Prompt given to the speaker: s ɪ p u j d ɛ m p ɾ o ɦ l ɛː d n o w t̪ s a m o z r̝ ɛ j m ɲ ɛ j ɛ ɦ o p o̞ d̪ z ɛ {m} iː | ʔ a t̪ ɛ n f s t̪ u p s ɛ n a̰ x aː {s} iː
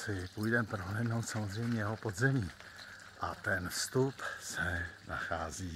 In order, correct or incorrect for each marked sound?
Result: correct, incorrect: z

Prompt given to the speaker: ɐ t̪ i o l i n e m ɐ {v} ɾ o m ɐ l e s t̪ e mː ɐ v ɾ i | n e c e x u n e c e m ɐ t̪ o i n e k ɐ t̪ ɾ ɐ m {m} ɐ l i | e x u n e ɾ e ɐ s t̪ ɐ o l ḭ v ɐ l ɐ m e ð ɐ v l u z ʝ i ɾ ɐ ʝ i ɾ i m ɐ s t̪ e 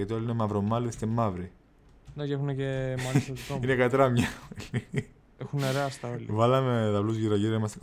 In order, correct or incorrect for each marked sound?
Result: correct, incorrect: ɲ

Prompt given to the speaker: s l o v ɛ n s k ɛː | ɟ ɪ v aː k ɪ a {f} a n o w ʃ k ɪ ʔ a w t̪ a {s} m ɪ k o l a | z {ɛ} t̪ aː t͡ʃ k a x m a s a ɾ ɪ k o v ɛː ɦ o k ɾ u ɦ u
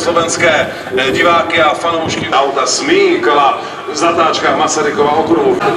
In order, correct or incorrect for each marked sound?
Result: correct, correct, incorrect: a

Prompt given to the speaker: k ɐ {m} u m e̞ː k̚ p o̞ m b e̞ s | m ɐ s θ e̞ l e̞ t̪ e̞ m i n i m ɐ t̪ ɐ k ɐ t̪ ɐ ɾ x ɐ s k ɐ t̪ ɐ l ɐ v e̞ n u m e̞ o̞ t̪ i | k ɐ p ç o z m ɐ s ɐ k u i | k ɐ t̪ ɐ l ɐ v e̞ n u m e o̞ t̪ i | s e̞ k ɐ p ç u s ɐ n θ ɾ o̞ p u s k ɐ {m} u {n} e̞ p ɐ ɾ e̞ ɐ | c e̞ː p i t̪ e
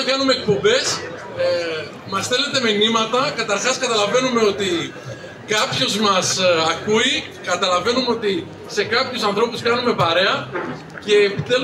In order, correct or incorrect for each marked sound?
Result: incorrect: n, incorrect: n, incorrect: m

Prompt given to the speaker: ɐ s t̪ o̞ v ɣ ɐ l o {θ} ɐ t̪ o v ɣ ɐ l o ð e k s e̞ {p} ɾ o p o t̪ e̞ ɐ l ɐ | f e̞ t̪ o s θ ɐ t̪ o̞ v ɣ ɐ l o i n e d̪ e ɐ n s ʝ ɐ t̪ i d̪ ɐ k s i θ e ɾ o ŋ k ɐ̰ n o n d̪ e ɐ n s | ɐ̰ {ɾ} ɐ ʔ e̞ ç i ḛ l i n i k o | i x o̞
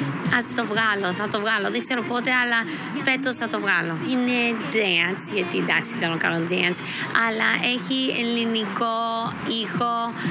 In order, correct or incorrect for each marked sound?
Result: correct, incorrect: none, incorrect: l

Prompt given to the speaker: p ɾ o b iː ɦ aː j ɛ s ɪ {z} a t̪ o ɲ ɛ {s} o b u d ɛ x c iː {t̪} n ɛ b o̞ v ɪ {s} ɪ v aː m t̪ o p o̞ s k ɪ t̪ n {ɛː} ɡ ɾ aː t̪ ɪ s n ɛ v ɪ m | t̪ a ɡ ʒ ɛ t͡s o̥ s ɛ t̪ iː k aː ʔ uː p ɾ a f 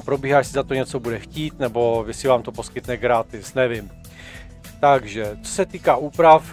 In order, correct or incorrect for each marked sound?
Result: correct, incorrect: t͡s, correct, correct, incorrect: ɛ

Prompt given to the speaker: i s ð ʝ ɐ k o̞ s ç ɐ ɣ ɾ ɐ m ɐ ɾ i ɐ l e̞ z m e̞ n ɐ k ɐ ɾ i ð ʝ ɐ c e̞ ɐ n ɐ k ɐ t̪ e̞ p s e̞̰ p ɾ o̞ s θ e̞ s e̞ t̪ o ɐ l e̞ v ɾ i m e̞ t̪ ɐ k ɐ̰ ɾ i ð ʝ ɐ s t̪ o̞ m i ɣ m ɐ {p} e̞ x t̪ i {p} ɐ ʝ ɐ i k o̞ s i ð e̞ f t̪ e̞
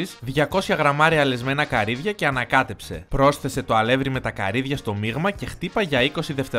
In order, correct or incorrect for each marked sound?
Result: incorrect: c, correct

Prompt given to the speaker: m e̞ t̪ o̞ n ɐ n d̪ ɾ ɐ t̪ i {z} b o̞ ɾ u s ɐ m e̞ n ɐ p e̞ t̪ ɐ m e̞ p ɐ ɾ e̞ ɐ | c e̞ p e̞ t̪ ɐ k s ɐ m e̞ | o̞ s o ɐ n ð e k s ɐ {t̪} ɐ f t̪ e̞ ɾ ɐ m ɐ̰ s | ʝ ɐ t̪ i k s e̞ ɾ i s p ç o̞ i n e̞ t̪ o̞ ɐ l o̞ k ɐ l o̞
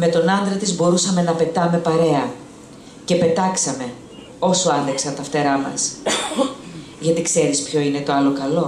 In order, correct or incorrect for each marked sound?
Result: correct, correct

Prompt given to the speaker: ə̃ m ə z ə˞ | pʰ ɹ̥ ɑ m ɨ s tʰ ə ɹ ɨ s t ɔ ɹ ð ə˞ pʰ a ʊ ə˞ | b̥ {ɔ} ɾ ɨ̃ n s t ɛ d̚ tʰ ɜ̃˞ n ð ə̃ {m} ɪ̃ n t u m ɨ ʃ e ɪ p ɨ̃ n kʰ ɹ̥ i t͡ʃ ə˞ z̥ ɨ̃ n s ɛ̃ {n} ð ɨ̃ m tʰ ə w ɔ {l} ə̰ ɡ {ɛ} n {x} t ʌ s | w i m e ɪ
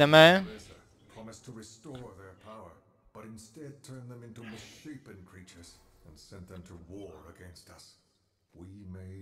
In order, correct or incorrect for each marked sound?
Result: incorrect: ʌ, correct, correct, incorrect: ɹ, incorrect: ɛ̃, incorrect: s

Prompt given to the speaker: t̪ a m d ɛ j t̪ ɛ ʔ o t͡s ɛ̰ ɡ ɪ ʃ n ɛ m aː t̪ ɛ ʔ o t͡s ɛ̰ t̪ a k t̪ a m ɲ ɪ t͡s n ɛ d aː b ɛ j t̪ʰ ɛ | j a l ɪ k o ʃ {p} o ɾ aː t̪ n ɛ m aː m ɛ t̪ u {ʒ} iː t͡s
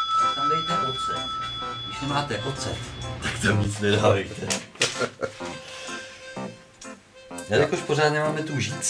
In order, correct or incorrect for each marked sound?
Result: correct, correct

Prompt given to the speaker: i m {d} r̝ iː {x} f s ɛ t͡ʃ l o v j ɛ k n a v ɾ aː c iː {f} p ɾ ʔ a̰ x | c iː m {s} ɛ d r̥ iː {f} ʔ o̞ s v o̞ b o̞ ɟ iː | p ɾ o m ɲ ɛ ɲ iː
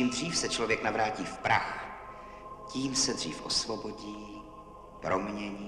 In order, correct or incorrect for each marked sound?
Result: correct, incorrect: none, correct, correct, correct

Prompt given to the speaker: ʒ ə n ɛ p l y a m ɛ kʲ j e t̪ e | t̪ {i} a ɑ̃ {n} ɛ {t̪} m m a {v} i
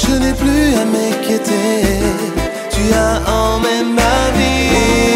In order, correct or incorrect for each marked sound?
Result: incorrect: y, incorrect: m, incorrect: none, correct

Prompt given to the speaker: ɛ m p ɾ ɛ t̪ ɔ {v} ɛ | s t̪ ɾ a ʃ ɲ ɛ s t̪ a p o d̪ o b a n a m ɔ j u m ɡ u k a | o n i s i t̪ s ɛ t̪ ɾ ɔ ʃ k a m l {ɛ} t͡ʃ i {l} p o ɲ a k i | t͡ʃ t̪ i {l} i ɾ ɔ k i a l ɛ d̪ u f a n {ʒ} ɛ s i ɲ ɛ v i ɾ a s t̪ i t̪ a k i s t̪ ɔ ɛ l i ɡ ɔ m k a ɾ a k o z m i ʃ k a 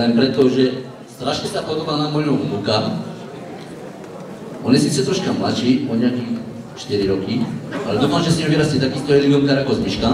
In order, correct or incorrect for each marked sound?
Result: incorrect: ʒ, incorrect: a, incorrect: none, incorrect: ɾ, correct

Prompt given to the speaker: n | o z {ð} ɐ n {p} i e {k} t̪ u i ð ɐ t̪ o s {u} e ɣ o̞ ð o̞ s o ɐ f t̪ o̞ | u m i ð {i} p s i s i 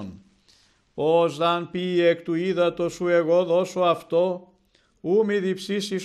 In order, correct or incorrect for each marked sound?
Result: correct, correct, correct, correct, correct

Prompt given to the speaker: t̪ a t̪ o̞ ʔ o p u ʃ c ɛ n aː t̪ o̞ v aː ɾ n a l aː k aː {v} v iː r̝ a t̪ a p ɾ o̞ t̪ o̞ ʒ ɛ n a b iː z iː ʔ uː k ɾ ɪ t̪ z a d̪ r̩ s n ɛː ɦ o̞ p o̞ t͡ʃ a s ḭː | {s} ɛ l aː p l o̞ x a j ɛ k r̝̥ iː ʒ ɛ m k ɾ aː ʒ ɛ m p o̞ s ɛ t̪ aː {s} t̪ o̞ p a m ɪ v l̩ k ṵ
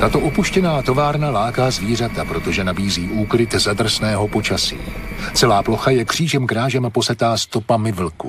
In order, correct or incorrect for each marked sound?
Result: incorrect: z, incorrect: t͡s, correct

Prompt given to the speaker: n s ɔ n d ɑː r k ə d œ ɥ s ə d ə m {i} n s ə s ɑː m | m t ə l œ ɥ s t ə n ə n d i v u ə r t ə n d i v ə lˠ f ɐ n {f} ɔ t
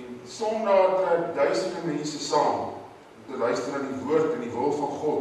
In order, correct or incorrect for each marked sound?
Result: incorrect: ɛ, incorrect: χ

